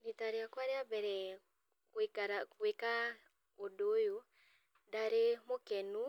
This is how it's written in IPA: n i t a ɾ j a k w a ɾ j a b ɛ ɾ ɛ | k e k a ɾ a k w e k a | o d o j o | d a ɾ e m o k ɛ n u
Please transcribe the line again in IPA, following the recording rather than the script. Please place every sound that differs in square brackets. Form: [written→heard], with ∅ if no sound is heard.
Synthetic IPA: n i t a ɾ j a k w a ɾ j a b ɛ ɾ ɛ | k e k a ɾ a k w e k a | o d o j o | d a ɾ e m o k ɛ n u

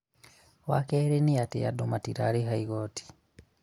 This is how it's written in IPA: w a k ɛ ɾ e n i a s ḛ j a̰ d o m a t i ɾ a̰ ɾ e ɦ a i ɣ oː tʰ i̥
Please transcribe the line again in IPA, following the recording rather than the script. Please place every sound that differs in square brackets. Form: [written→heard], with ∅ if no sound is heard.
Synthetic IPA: w a k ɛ ɾ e n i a [s→t] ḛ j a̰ d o m a t i ɾ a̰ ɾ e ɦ a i ɣ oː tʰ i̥

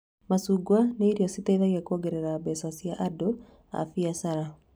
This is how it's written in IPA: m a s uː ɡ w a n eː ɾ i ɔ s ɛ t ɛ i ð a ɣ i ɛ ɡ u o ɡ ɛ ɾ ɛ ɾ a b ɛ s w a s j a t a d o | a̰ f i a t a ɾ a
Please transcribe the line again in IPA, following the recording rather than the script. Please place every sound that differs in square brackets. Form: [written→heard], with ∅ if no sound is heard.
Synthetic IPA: m a s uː ɡ w a n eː ɾ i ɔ s [ɛ→i] t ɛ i ð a ɣ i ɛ [ɡ→k] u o ɡ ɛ ɾ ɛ ɾ a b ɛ s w a s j a [t→ʔ] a d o | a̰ f i a [t→s] a ɾ a

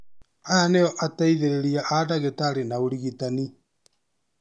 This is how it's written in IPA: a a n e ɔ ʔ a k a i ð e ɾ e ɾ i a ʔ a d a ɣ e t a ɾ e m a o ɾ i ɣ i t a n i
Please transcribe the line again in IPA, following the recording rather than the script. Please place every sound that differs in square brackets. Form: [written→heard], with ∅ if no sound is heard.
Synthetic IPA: a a n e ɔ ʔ a [k→t] a i ð e ɾ e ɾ i a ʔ a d a ɣ e t a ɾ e [m→n] a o ɾ i ɣ i t a n i

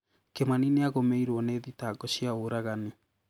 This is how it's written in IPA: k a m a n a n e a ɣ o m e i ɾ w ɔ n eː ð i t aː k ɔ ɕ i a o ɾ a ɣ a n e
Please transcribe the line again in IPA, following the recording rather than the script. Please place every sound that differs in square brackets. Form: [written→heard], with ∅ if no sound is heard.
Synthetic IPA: k [a→e] m a n [a→i] n e a ɣ o m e i ɾ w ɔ n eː ð i t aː [k→ɡ] ɔ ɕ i a o ɾ a ɣ a n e

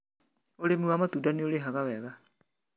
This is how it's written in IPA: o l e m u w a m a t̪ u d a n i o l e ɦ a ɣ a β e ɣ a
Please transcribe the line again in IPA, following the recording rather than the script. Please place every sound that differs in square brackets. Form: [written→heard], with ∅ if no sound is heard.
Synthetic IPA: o l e m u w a m a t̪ u d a n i o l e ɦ a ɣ a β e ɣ a

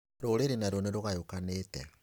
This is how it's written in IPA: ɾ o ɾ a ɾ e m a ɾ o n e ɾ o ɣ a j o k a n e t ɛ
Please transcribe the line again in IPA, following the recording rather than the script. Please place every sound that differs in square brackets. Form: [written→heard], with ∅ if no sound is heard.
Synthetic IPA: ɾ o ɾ [a→e] ɾ e [m→n] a ɾ o n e ɾ o ɣ a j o k a n e t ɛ

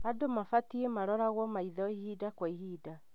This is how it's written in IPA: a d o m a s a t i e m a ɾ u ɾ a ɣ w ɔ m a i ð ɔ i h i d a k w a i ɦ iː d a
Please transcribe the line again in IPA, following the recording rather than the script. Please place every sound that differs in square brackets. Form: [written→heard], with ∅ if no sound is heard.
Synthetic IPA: a d o m a [s→f] a t i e m a ɾ [u→ɔ] ɾ a ɣ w ɔ m a i ð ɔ i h i d a k w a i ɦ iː d a

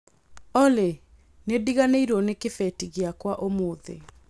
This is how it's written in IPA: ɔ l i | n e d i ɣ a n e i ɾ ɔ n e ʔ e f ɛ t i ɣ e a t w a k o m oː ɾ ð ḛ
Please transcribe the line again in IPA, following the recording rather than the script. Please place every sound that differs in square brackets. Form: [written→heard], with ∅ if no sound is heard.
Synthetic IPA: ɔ l [i→e] | n e d i ɣ a n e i ɾ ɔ n e [ʔ→k] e f ɛ t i ɣ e a [t→k] w a [k→ʔ] o m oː [ɾ→∅] ð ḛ

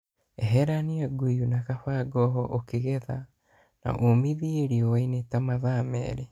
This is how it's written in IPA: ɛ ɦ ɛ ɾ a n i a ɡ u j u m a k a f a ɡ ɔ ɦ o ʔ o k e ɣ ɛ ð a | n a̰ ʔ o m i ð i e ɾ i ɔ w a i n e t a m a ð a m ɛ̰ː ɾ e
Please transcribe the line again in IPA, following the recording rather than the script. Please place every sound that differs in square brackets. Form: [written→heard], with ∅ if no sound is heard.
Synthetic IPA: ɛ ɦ ɛ ɾ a n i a ɡ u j u [m→n] a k a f a ɡ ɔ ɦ [o→ɔ] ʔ o k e ɣ ɛ ð a | n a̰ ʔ o m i ð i e ɾ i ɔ w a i n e t a m a ð a m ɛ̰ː ɾ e

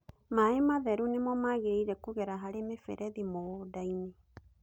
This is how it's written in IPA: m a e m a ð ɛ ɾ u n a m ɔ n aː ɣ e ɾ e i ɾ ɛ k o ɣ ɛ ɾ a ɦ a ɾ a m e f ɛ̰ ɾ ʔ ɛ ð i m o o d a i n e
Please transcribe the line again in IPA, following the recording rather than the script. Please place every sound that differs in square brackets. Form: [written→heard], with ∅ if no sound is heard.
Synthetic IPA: m a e m a ð ɛ ɾ u n [a→e] m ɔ [n→m] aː ɣ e ɾ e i ɾ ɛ k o ɣ ɛ ɾ a ɦ a ɾ [a→e] m e f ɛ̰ ɾ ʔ ɛ ð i m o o d a i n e

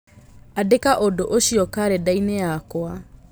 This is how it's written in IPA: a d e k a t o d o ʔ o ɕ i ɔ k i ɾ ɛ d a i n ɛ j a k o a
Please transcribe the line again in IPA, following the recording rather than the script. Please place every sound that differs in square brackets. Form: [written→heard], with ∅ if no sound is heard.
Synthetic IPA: a d e k a [t→ʔ] o d o ʔ o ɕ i ɔ k [i→a] ɾ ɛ d a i n [ɛ→e] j a k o a

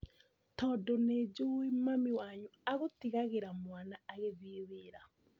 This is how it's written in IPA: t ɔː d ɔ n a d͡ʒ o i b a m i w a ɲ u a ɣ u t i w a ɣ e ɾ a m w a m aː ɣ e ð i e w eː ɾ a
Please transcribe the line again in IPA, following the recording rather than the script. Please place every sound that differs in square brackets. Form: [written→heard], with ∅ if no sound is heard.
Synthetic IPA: t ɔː d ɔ n [a→e] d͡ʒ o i [b→m] a m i w a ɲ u a ɣ [u→o] t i [w→ɣ] a ɣ e ɾ a m w a [m→n] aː ɣ e ð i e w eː ɾ a

